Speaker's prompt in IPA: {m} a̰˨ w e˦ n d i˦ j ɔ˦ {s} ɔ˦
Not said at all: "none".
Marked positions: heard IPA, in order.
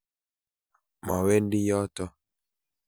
m, t

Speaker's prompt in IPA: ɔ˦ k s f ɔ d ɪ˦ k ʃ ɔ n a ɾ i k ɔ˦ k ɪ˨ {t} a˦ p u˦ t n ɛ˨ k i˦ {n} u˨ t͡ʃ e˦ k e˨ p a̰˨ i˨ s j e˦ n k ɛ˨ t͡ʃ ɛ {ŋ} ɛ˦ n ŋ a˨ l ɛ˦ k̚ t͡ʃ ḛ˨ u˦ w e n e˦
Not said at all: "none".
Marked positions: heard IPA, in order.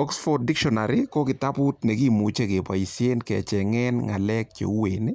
t, m, ŋ

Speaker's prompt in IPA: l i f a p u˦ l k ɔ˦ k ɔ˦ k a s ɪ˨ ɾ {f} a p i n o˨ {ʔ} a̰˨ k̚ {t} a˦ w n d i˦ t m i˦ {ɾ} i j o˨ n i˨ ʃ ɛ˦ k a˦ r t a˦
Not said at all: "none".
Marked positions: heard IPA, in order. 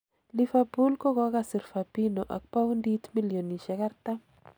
f, ʔ, p, l

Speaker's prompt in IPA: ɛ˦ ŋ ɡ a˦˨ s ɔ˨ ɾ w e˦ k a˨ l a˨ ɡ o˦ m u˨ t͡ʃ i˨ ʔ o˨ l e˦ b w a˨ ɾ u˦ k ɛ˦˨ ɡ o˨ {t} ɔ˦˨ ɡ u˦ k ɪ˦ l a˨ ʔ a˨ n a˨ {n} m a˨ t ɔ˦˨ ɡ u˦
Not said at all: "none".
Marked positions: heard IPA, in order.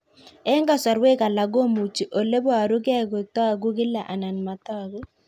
t, n

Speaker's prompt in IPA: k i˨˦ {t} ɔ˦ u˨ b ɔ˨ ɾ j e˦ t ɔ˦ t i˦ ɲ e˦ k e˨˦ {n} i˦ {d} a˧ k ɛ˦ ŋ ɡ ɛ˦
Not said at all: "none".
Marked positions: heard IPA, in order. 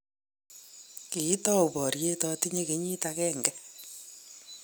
t, ɲ, t

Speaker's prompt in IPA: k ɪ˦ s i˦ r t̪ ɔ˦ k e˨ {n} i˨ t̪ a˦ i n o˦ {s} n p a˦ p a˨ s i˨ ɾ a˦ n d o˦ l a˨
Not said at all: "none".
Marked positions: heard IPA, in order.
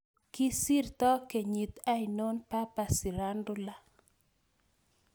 ɲ, none

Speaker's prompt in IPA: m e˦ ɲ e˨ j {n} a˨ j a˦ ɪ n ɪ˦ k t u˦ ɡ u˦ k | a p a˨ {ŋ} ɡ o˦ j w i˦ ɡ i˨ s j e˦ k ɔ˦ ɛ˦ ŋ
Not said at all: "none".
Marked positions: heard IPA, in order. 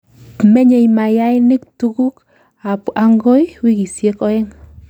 m, ŋ

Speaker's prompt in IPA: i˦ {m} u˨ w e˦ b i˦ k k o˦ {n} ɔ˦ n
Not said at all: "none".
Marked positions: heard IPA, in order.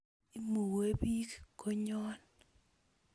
m, ɲ

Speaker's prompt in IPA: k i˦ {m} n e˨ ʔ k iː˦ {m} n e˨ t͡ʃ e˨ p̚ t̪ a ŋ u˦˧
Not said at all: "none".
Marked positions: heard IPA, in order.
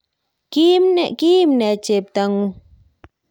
m, m

